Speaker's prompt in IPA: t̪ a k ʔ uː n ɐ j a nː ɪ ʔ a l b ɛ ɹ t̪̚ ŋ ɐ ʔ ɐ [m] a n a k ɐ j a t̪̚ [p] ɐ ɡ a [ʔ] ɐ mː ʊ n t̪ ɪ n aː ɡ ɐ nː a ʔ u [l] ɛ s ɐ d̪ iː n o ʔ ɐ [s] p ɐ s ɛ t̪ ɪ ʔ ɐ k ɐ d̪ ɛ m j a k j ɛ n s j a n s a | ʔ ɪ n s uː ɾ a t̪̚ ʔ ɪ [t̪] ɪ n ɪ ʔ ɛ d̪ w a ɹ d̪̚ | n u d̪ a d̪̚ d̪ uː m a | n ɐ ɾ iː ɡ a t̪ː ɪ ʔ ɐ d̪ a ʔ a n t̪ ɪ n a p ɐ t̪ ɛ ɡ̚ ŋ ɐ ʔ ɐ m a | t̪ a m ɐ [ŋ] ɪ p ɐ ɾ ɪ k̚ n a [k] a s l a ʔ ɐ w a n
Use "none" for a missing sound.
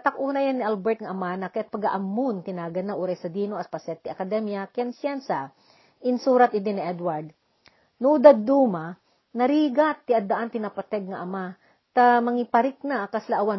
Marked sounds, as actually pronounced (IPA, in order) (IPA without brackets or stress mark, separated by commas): m, p, ʔ, ɾ, s, d̪, ŋ, k